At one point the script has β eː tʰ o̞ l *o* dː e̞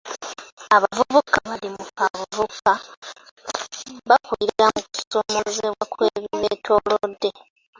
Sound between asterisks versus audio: correct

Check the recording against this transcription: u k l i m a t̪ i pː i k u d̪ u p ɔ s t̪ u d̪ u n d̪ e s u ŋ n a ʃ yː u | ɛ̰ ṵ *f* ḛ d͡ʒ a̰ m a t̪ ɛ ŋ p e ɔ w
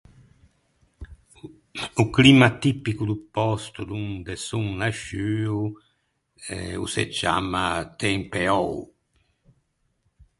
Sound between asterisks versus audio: incorrect: s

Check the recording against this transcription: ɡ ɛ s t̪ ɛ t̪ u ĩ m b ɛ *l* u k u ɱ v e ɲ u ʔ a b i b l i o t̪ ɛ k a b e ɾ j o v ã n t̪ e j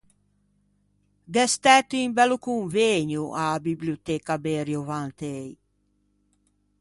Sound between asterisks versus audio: correct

